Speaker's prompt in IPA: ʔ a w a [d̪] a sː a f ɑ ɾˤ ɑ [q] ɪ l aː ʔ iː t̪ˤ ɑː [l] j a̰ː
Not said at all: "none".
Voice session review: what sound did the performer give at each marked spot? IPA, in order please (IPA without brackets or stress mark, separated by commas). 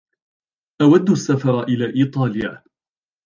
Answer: d̪ː, ʔ, l